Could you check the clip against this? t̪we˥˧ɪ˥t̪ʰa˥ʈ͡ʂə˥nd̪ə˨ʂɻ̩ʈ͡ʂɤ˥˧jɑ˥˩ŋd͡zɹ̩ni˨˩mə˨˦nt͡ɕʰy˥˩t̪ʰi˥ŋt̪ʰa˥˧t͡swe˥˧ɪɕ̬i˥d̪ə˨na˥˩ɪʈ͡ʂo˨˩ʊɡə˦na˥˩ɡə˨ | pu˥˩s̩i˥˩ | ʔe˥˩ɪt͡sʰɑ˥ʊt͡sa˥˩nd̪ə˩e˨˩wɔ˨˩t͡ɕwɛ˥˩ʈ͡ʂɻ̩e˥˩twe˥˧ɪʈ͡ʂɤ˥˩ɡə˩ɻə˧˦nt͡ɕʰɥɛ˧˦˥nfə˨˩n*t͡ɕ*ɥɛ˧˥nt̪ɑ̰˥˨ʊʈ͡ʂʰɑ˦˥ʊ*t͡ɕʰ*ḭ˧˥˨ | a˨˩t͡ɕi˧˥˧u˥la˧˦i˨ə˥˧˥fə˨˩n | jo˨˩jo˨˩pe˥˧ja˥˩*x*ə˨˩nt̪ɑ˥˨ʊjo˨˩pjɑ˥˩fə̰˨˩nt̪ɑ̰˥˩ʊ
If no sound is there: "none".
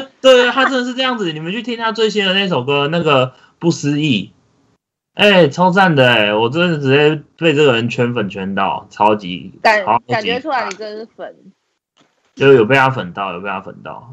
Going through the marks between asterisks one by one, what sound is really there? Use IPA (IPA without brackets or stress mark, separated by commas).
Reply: t͡ɕʰ, t͡ɕ, f